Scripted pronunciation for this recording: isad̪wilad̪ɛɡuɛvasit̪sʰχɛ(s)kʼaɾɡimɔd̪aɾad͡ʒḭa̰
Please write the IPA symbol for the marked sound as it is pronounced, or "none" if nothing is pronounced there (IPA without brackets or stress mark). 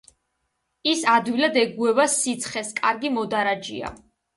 s